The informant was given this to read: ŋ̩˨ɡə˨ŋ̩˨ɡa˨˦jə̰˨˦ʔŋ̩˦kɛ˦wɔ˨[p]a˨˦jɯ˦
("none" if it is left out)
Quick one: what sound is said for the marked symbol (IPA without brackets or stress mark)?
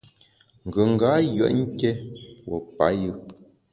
p